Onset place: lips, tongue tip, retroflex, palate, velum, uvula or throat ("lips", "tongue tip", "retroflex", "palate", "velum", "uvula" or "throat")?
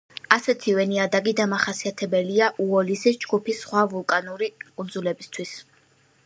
tongue tip